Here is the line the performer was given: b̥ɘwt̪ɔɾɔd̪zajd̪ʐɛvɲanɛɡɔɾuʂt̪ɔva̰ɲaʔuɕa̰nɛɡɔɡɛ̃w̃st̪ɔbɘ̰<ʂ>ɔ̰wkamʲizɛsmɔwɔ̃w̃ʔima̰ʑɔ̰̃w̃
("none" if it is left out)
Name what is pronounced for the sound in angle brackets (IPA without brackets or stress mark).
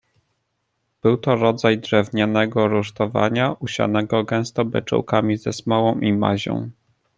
t͡ʂ